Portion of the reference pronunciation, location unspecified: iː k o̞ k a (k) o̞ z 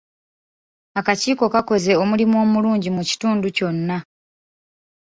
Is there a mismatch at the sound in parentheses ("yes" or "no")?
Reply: no